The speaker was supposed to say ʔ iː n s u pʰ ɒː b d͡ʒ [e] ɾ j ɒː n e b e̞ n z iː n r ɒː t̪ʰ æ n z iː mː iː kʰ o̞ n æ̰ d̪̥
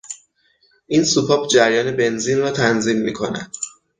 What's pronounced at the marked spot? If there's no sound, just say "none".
æ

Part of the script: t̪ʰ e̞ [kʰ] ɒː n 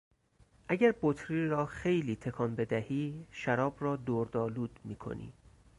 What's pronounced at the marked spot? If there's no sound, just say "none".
kʰ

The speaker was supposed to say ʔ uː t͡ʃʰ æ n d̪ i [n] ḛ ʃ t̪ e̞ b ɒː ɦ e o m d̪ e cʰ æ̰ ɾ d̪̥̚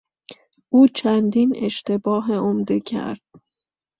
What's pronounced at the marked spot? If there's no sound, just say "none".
n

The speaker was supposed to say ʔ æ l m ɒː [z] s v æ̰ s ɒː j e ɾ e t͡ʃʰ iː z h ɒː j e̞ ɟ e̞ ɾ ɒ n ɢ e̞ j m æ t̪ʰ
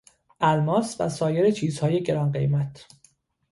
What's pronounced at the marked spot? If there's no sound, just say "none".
none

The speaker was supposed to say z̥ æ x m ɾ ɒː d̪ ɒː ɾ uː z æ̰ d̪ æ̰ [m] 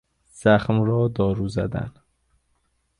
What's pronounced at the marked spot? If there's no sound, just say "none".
n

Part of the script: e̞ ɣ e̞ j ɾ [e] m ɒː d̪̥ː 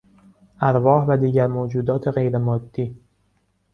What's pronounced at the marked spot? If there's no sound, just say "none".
e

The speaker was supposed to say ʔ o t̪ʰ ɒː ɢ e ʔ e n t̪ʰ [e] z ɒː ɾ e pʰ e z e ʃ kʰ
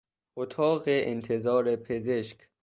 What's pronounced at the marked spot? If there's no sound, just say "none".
e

